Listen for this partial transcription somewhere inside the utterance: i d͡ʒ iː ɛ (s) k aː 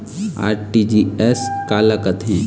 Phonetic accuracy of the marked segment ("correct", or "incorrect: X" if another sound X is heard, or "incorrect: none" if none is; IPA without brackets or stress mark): correct